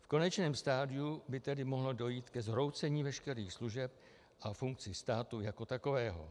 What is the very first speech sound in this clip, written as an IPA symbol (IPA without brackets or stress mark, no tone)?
f